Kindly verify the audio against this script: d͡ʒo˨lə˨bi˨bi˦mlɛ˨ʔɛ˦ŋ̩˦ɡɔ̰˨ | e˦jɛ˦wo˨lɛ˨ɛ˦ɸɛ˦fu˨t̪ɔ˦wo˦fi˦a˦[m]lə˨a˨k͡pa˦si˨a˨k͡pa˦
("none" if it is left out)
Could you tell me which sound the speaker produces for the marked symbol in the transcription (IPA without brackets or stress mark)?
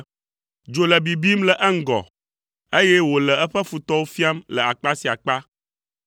m